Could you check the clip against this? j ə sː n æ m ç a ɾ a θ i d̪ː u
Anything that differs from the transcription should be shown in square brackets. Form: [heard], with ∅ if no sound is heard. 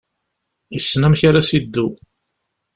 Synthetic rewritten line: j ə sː n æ m ç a ɾ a [s] i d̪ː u